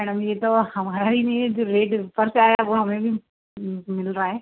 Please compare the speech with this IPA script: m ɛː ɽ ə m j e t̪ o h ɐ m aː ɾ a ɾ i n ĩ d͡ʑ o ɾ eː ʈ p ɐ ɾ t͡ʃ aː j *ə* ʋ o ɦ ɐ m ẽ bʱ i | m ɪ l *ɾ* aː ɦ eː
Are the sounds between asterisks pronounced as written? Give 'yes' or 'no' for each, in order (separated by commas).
no, yes